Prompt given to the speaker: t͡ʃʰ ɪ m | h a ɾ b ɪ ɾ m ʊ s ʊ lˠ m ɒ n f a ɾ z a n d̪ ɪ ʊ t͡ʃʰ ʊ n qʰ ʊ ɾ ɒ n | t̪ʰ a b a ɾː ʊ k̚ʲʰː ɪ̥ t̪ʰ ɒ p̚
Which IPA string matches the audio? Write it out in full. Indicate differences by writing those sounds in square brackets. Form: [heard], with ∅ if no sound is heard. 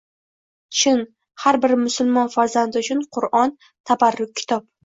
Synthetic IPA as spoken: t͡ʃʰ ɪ [n] | h a ɾ b ɪ ɾ m ʊ s ʊ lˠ m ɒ n f a ɾ z a n d̪ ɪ ʊ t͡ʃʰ ʊ n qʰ ʊ ɾ ɒ n | t̪ʰ a b a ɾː ʊ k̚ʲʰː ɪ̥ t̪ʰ ɒ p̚